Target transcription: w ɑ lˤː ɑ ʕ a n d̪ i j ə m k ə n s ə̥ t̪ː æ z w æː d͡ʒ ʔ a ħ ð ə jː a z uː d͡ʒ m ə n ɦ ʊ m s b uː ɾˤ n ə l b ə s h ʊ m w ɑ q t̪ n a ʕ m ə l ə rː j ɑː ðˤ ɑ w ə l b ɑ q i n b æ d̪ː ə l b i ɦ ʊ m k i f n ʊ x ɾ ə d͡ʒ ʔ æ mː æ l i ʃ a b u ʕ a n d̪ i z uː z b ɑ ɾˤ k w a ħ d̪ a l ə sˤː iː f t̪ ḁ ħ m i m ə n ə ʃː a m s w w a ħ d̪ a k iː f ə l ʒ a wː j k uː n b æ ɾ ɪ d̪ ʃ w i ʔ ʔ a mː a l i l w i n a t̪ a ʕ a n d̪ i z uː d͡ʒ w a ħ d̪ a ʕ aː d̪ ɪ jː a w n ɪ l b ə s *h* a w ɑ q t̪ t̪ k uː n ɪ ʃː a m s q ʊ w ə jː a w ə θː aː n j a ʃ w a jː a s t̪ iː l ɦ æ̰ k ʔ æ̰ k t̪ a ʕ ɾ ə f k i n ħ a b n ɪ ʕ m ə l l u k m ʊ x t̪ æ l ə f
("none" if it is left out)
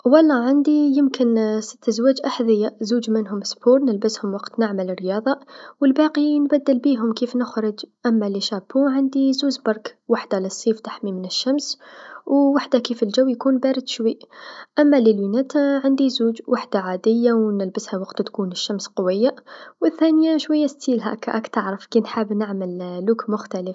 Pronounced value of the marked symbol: h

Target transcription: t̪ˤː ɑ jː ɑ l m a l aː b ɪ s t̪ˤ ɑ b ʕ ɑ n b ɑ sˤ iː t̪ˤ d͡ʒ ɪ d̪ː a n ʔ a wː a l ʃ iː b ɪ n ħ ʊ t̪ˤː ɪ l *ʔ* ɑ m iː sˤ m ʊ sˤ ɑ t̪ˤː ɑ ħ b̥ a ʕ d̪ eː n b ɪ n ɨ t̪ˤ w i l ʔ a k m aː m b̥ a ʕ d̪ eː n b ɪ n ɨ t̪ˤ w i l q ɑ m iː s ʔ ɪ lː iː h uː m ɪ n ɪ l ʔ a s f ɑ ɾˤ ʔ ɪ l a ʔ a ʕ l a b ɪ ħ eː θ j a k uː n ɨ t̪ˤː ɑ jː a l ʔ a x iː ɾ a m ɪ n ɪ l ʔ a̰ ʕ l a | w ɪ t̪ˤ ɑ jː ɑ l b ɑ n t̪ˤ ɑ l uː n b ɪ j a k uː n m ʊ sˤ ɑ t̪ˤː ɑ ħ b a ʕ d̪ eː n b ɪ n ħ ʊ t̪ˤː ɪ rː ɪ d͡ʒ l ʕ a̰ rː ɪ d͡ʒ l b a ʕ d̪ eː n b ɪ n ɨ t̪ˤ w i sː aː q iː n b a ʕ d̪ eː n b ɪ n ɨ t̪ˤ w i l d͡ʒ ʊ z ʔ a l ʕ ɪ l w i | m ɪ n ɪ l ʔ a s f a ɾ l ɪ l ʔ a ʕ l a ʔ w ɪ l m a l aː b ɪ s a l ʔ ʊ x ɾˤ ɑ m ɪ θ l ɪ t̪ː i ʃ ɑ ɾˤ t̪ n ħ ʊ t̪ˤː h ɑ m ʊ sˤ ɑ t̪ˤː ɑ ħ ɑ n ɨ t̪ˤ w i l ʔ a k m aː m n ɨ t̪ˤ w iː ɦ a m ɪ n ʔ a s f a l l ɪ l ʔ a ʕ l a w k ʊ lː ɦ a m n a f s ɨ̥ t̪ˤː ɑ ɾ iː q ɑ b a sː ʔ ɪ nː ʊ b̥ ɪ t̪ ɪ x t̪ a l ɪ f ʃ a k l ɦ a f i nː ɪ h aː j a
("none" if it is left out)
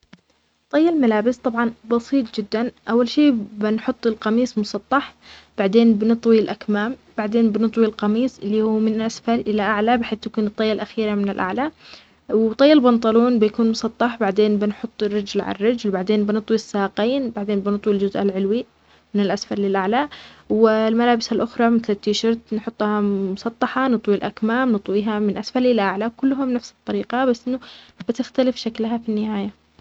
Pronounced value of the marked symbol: q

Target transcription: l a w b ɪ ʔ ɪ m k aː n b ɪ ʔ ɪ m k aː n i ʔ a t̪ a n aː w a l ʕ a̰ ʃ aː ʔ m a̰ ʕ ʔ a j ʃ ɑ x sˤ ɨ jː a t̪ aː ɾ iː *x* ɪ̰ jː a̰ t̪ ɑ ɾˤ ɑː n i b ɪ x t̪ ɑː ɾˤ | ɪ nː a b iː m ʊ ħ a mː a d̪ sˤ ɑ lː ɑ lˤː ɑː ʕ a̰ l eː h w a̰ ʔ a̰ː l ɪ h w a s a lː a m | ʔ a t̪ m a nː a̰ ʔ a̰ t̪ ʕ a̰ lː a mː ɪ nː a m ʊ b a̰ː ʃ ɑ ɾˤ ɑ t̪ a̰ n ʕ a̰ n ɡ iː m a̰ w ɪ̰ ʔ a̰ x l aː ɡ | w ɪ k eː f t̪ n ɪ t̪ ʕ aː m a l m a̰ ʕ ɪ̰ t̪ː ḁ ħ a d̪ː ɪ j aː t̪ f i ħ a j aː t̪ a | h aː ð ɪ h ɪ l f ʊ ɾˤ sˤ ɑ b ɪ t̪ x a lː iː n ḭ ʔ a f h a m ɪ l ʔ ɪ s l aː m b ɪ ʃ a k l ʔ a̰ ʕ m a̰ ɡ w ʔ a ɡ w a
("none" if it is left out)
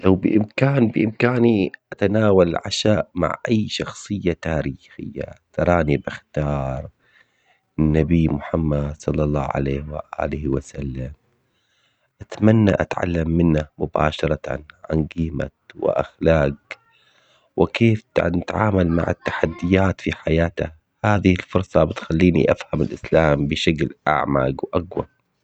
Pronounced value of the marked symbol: x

